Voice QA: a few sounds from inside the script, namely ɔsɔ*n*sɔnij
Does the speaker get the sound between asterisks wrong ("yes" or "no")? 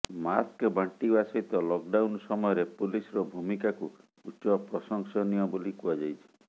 yes